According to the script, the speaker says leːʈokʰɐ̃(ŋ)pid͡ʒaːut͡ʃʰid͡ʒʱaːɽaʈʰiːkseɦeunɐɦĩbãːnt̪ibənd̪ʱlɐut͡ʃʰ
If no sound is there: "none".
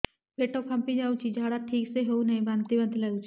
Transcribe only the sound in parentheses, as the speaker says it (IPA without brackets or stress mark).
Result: m